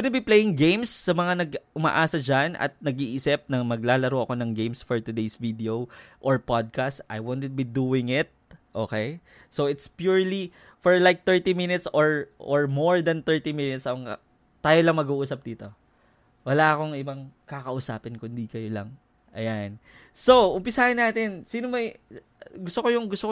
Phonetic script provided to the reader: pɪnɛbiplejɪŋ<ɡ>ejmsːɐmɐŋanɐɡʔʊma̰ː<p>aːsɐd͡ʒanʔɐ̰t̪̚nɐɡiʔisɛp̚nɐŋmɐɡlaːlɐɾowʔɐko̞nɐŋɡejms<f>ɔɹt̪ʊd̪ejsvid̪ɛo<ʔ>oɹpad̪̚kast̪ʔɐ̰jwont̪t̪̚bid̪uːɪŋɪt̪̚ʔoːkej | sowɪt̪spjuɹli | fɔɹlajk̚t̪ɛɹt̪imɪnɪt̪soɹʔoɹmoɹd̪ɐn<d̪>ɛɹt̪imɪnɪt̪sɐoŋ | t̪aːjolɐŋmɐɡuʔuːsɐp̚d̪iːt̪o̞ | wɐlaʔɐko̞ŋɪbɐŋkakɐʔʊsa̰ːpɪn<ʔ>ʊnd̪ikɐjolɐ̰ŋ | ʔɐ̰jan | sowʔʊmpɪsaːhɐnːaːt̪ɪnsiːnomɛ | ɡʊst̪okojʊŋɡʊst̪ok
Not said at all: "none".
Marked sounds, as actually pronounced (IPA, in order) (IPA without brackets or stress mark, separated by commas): ɡ, ʔ, f, ʔ, t̪, k